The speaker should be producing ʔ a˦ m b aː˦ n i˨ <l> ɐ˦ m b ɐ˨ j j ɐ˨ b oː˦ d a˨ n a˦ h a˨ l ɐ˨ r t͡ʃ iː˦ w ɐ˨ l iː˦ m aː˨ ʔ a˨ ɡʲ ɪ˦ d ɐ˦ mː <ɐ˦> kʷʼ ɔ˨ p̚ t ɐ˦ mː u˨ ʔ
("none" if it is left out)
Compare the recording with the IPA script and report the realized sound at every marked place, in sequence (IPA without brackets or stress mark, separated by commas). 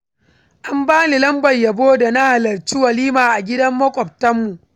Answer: l, ɐ˦